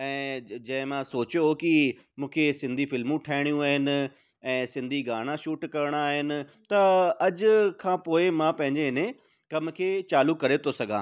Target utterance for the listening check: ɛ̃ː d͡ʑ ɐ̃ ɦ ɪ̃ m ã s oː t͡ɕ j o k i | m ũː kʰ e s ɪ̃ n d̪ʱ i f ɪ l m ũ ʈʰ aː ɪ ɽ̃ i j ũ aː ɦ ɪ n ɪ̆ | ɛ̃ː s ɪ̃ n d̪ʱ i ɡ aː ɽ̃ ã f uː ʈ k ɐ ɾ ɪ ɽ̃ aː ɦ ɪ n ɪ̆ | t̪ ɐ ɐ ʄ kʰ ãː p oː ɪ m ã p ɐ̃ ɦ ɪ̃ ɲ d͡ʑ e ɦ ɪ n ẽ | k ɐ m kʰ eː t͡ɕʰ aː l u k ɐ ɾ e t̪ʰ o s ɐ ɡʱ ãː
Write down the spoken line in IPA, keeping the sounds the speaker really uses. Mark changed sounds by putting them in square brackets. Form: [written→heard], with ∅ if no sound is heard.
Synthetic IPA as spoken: ɛ̃ː d͡ʑ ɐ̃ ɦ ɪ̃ m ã s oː t͡ɕ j o k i | m ũː kʰ e s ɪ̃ n d̪ʱ i f ɪ l m ũ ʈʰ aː ɪ ɽ̃ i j ũ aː ɦ ɪ n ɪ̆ | ɛ̃ː s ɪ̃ n d̪ʱ i ɡ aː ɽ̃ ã [f→ʃ] uː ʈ k ɐ ɾ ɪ ɽ̃ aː ɦ ɪ n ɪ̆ | t̪ ɐ ɐ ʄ kʰ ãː p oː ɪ m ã p ɐ̃ ɦ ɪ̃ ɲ d͡ʑ e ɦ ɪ n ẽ | k ɐ m kʰ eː [t͡ɕʰ→t͡ɕ] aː l u k ɐ ɾ e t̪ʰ o s ɐ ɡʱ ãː